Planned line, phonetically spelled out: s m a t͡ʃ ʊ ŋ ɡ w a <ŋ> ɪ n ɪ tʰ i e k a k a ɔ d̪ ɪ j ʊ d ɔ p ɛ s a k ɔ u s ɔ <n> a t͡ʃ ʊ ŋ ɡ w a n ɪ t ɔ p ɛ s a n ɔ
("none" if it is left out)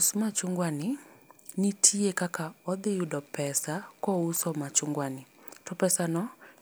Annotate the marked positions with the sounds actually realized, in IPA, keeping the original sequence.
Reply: n, m

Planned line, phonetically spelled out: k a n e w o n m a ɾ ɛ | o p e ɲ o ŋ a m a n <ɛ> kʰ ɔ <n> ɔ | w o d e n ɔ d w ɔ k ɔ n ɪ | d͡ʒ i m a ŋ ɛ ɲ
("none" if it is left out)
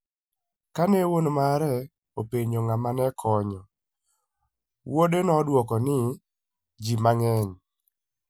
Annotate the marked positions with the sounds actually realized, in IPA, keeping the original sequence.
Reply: ɛ, ɲ

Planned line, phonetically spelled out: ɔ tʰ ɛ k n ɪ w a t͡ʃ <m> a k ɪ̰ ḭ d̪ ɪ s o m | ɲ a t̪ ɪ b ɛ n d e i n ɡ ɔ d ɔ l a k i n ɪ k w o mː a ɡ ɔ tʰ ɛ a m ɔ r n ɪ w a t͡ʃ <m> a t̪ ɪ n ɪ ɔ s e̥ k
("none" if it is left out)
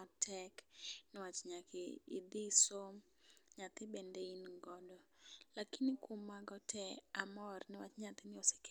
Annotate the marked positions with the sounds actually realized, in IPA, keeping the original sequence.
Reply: ɲ, ɲ

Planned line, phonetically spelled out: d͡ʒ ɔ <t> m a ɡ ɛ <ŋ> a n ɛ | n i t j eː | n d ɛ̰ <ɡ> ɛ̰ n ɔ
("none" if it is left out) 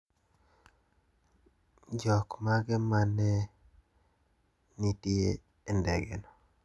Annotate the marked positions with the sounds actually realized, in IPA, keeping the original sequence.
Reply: k, m, ɡ

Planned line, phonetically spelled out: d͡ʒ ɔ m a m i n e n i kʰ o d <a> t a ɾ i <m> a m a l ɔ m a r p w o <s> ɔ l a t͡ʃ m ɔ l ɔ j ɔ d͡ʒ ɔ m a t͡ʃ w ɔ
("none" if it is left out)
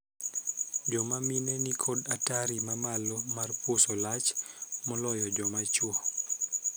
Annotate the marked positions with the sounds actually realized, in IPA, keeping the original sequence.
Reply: a, m, s

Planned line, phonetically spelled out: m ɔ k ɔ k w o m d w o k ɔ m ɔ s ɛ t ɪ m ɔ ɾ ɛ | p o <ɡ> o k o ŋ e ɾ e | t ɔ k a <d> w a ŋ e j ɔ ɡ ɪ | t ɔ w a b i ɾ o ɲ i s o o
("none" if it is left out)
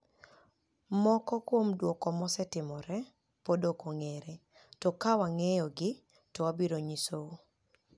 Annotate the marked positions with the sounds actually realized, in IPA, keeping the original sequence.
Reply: d, none

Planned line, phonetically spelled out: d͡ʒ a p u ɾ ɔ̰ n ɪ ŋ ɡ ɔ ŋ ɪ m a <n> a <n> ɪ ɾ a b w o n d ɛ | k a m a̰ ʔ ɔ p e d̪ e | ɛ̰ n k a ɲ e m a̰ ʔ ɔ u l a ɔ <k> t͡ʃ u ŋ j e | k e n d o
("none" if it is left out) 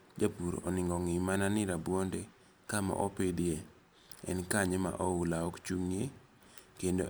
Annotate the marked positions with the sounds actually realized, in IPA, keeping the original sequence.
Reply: n, n, k

